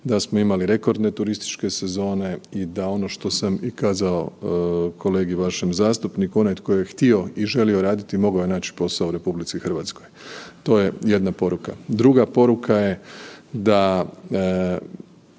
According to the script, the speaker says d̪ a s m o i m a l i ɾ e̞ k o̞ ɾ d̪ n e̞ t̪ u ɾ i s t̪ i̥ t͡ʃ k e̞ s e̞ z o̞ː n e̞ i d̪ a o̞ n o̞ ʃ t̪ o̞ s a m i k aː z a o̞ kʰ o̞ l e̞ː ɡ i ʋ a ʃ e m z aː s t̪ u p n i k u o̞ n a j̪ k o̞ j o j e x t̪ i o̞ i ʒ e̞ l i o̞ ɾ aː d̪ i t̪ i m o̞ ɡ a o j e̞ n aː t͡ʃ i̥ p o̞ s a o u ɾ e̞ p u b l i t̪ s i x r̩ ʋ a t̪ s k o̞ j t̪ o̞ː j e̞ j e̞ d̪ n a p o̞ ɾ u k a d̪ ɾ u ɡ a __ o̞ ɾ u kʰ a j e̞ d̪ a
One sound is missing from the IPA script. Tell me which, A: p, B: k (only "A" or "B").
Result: A